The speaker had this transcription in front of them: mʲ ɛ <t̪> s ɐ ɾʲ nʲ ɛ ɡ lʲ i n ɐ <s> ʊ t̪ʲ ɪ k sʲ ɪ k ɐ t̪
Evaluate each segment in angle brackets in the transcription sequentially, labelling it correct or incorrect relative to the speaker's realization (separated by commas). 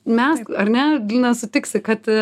incorrect, correct